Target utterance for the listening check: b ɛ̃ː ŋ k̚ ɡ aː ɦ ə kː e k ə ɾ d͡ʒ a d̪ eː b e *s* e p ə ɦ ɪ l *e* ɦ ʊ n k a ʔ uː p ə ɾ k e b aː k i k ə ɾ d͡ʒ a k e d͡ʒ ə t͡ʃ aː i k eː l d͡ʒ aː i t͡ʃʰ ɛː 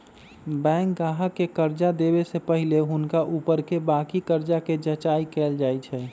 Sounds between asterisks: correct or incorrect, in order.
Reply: correct, correct

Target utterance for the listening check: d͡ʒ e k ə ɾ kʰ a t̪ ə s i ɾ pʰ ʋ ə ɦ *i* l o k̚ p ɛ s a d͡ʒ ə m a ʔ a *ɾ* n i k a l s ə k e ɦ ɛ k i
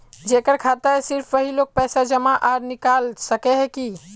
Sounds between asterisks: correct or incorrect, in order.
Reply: correct, correct

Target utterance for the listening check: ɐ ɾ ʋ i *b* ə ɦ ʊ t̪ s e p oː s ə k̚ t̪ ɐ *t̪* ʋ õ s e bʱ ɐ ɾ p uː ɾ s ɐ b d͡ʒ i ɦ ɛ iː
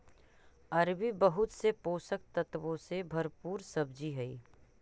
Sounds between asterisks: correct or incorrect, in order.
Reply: correct, correct

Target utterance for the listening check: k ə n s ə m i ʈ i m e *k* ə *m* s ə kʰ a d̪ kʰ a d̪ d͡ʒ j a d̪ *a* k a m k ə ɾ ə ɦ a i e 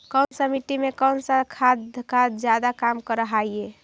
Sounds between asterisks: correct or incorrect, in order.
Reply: correct, incorrect, correct

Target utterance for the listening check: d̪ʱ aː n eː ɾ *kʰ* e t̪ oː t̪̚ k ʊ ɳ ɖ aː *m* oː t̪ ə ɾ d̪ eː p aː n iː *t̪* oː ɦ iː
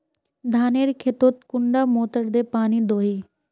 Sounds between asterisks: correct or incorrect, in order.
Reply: correct, correct, incorrect

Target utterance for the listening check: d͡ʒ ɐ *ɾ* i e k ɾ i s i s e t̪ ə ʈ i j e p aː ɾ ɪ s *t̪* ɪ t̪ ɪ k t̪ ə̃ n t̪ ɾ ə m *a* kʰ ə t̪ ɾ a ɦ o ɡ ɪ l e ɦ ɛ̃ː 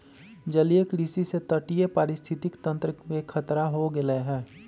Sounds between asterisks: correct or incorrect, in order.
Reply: incorrect, incorrect, incorrect

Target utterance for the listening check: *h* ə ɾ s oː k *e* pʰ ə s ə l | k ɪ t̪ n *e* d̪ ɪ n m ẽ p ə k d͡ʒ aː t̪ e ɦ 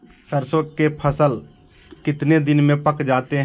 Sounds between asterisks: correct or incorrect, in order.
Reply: incorrect, correct, correct

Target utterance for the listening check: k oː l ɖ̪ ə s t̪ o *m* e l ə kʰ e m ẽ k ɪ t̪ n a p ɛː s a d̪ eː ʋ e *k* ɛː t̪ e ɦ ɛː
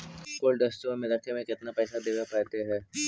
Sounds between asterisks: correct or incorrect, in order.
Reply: correct, incorrect

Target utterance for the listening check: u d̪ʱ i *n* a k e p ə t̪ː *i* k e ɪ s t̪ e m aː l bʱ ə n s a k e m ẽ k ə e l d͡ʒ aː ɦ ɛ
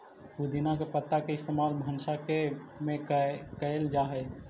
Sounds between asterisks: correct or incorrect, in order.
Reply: correct, incorrect

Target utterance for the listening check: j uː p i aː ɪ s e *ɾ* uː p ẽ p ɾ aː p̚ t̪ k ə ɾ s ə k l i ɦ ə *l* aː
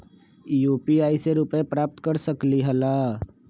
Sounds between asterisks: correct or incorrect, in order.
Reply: correct, correct

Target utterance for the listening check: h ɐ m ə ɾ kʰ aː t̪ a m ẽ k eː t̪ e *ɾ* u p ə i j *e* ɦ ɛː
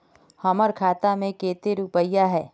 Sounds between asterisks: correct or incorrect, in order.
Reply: correct, incorrect

